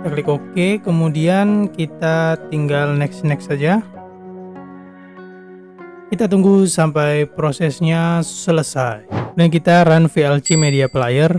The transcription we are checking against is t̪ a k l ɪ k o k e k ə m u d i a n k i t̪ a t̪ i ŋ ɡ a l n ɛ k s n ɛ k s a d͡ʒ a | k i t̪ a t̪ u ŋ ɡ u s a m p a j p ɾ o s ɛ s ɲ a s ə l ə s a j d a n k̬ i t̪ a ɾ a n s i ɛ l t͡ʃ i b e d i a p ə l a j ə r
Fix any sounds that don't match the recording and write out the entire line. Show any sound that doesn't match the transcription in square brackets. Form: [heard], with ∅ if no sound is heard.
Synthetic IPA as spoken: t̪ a k l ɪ k o k e k ə m u d i a n k i t̪ a t̪ i ŋ ɡ a l n ɛ k s n ɛ k s a d͡ʒ a | k i t̪ a t̪ u ŋ ɡ u s a m p a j p ɾ o s ɛ s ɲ a s ə l ə s a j d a n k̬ i t̪ a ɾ a n [f] i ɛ l t͡ʃ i [m] e d i a p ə l a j ə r